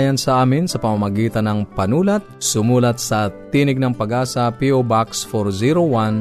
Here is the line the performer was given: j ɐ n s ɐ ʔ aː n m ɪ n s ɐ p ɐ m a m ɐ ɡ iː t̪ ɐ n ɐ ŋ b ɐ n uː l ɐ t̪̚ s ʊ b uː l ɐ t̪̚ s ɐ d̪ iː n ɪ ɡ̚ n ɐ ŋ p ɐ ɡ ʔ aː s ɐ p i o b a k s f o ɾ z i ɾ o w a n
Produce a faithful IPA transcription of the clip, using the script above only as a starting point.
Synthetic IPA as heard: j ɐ n s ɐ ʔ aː m ɪ n s ɐ p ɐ m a m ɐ ɡ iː t̪ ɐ n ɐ ŋ p ɐ n uː l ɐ t̪̚ s ʊ m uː l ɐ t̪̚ s ɐ t̪ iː n ɪ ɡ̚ n ɐ ŋ p ɐ ɡ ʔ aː s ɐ p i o b a k s f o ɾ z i ɾ o w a n